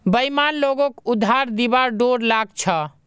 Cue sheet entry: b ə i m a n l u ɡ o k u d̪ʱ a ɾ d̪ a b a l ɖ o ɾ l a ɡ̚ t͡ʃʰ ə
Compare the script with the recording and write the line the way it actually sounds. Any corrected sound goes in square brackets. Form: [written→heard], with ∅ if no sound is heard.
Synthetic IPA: b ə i m a n l [u→o] ɡ o k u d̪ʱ a ɾ d̪ [a→i] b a [l→ɾ] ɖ o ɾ l a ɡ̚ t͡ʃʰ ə